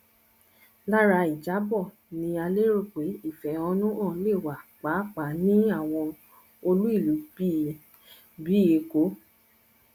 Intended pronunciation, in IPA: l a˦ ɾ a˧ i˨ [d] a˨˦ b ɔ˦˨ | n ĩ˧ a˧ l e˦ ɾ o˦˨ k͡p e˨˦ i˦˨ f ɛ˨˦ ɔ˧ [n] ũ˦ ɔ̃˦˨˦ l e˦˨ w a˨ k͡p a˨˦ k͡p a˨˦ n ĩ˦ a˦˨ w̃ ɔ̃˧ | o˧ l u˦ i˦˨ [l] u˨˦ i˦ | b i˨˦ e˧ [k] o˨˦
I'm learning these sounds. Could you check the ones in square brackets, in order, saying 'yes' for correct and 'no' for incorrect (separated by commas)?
no, yes, yes, yes